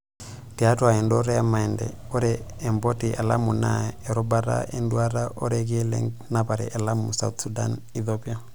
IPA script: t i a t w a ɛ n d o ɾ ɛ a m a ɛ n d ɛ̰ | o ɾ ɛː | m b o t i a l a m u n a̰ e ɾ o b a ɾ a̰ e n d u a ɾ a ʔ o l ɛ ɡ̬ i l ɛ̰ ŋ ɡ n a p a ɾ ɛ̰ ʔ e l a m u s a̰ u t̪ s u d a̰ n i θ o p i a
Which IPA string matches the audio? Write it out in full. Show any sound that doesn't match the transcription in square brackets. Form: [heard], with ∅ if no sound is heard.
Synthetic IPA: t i a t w a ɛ n d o ɾ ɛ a m a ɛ n d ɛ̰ | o ɾ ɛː | m b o t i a l a m u n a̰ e ɾ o b a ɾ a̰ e n d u a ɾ a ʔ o [ɾ] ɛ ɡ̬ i l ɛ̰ ŋ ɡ n a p a ɾ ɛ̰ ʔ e l a m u s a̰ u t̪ s u d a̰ n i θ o p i a